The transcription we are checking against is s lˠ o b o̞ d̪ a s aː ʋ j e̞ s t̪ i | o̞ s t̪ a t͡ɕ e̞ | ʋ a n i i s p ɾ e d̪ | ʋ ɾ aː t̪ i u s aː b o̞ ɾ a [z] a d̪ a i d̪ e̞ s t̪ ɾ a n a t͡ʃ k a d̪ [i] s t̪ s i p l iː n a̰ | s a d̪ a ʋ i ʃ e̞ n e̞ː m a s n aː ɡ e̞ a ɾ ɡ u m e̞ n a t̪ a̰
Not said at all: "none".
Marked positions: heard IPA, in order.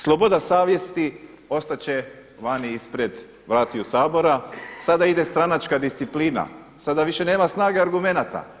s, i

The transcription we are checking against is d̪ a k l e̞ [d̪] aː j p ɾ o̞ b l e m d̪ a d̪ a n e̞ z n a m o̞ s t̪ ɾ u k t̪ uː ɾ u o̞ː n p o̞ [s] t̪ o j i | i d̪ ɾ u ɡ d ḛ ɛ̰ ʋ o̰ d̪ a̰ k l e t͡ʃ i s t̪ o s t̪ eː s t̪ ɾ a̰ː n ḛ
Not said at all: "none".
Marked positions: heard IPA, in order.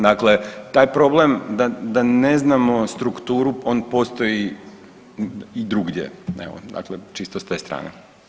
t̪, s

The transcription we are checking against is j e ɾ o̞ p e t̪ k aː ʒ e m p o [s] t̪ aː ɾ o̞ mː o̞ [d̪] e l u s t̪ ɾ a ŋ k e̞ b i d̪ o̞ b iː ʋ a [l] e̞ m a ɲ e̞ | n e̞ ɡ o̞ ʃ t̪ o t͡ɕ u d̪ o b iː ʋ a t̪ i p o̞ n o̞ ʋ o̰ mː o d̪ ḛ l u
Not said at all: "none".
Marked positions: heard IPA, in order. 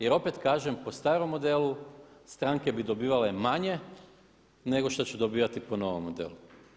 s, d̪, l

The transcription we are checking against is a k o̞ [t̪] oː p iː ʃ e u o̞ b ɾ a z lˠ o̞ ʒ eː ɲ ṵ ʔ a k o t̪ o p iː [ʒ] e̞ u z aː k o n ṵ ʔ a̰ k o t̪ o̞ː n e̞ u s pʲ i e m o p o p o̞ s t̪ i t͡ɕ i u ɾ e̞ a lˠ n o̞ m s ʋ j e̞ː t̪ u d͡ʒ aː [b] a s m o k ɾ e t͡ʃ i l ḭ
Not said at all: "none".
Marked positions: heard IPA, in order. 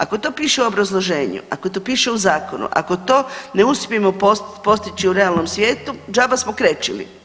t̪, ʃ, b

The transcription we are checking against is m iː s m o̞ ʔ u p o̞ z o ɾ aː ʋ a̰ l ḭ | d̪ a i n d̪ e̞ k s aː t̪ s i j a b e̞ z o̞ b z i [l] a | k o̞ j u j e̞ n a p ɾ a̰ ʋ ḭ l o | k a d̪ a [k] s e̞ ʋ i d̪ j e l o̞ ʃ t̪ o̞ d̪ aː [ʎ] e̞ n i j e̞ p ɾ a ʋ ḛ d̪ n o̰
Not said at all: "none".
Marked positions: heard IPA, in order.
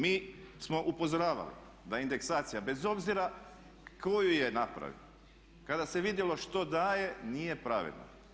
ɾ, none, j

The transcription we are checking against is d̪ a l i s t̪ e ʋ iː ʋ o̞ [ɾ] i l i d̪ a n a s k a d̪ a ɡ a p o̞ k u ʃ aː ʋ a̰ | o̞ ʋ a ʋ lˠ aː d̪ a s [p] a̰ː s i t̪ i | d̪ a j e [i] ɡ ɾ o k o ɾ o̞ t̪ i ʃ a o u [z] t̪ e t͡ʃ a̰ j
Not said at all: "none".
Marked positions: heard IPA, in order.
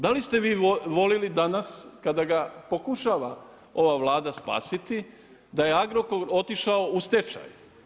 l, p, a, s

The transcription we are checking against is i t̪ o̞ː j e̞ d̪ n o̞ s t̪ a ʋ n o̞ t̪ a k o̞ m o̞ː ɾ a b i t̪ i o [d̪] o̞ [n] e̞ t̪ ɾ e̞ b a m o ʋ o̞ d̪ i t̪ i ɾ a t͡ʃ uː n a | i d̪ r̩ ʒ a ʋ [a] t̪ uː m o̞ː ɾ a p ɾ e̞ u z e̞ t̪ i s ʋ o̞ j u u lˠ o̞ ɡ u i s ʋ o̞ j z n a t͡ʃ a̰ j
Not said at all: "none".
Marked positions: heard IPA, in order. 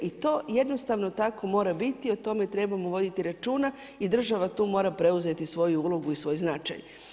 t̪, m, a

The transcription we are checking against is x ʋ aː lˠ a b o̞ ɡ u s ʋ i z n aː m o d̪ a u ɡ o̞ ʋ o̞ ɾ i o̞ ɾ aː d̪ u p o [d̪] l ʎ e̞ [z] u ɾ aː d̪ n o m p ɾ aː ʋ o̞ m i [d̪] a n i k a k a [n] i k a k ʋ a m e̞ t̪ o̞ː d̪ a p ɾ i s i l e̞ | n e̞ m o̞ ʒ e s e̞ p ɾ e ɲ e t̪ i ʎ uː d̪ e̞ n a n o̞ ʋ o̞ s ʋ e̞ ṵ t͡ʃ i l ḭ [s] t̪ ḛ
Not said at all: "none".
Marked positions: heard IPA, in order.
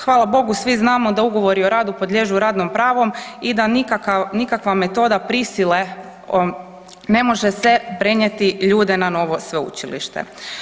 d̪, ʒ, d̪, n, ʃ

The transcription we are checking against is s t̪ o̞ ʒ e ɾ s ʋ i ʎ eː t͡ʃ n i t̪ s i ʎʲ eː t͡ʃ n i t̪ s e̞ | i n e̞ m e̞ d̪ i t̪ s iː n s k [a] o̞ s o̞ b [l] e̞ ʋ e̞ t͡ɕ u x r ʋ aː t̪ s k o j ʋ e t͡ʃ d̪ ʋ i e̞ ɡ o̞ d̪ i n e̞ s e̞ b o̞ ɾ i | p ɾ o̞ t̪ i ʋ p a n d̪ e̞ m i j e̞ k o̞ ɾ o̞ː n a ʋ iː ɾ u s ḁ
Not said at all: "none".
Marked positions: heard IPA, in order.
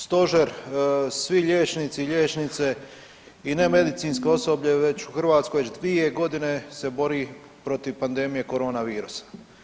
e, ʎ

